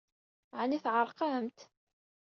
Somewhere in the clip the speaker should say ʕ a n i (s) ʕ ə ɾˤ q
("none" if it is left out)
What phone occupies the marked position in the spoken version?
θ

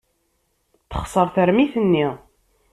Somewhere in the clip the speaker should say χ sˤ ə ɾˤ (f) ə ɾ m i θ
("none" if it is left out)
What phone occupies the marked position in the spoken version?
θ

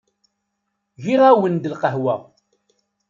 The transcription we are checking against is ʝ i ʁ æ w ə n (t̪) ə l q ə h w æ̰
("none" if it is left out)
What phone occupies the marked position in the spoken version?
d̪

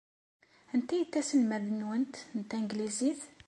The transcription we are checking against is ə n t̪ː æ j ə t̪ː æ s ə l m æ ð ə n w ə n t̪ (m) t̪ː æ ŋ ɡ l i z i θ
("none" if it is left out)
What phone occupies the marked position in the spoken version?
n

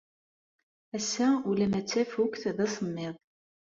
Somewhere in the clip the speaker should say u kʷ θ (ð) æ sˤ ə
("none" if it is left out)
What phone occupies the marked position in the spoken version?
ð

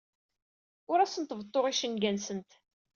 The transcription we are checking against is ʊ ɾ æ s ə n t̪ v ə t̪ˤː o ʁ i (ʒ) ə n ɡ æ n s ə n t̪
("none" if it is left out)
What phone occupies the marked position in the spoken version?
ʃ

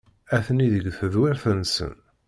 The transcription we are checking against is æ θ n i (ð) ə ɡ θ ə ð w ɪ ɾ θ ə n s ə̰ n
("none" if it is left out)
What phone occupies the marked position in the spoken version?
ð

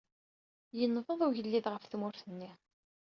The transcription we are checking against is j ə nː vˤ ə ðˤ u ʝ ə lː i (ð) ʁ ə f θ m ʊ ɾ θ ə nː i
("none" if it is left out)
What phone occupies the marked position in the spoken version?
ð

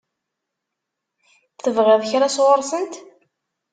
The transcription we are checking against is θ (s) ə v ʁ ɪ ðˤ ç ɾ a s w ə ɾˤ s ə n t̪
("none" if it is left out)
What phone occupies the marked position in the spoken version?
θ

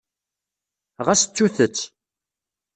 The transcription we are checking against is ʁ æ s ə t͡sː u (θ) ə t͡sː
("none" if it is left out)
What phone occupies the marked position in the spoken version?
θ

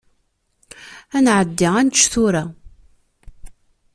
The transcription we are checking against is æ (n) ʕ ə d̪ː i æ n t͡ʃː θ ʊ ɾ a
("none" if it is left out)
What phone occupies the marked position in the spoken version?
n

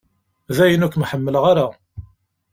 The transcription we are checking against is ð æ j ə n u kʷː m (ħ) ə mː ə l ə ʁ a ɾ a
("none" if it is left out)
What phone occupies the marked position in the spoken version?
ħ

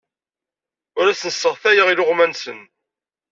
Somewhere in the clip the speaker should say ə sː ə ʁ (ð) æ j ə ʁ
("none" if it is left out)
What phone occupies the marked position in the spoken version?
θ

